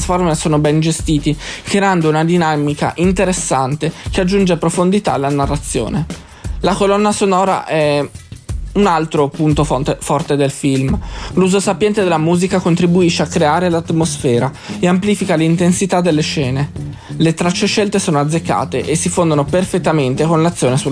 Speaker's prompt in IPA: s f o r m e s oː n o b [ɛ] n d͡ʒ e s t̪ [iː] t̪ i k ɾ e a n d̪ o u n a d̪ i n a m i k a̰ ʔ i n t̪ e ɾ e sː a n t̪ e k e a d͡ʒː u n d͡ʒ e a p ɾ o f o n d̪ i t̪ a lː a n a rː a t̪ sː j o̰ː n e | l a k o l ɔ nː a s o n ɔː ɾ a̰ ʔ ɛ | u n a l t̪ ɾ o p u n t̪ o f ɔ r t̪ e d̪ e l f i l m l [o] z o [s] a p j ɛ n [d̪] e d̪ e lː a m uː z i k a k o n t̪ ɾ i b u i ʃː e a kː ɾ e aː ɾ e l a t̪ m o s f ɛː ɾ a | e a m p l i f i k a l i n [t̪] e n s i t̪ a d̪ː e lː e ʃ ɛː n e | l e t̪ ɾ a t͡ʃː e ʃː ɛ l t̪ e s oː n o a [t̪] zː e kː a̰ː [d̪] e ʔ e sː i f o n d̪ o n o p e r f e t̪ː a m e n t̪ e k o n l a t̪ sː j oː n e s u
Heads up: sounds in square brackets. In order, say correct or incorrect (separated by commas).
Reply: correct, correct, incorrect, correct, incorrect, correct, incorrect, incorrect